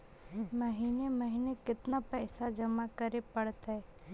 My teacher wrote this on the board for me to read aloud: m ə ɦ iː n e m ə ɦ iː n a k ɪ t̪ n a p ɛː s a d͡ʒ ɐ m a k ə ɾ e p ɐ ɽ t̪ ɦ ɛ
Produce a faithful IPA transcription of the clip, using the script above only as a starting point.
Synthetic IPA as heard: m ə ɦ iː n e m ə ɦ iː n e k ɪ t̪ n a p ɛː s a d͡ʒ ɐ m a k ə ɾ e p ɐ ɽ t̪ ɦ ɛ